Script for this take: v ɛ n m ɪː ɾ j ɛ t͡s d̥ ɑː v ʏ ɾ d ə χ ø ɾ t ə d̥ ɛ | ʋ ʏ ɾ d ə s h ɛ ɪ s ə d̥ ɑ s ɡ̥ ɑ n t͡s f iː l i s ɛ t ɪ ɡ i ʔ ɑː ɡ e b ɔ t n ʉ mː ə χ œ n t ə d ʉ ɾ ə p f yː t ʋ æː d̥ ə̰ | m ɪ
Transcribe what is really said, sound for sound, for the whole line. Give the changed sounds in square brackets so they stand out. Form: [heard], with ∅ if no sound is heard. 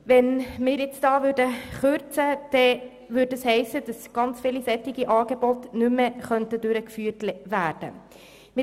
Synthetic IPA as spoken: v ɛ n m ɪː ɾ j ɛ t͡s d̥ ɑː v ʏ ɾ d ə χ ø ɾ [t͡s] ə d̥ ɛ | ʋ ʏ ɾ d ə s h ɛ ɪ s ə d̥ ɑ s ɡ̥ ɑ n t͡s f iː l i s ɛ t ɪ ɡ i ʔ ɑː ɡ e b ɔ t n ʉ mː ə χ œ n t ə d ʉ ɾ ə [k] f yː t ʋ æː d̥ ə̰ | m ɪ